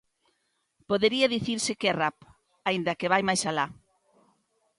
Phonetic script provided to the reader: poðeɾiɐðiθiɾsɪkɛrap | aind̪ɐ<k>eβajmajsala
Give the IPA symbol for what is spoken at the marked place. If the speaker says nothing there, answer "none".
k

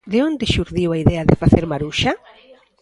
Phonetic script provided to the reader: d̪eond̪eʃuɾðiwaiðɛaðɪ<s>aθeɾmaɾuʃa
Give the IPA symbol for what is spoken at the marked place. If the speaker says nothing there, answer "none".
f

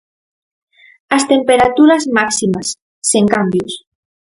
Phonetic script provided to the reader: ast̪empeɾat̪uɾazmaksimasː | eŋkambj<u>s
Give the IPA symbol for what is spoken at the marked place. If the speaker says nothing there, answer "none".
u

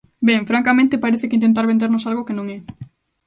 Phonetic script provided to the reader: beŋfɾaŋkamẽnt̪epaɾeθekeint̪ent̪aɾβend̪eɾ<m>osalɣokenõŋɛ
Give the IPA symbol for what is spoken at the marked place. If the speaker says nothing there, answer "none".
n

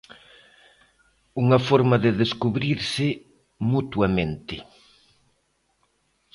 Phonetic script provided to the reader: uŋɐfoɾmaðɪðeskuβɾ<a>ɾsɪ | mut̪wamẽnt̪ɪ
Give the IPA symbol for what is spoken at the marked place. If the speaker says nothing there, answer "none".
i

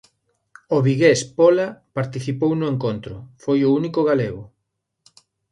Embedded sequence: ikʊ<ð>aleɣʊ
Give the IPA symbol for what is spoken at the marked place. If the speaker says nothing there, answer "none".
ɣ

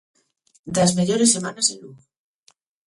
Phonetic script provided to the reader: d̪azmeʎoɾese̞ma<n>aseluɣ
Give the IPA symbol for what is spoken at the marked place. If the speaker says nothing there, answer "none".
n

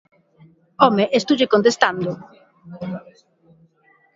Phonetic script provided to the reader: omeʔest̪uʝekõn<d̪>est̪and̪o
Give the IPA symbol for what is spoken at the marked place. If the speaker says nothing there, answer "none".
t̪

